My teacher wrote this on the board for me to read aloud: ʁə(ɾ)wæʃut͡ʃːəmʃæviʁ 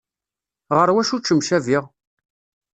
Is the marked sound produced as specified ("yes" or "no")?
yes